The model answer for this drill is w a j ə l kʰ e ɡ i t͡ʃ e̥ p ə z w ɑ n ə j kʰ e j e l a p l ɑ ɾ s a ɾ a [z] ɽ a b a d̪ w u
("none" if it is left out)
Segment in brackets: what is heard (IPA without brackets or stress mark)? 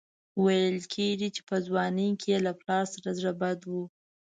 z